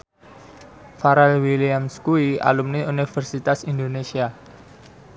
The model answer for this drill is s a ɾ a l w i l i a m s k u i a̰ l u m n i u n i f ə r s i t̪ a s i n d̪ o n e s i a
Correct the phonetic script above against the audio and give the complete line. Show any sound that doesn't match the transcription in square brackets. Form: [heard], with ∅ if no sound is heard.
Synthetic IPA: [f] a ɾ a l w i l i a m s k u i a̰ l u m n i u n i f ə r s i t̪ a s i n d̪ o n e s i a